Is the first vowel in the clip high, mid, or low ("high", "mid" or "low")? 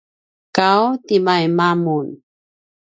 low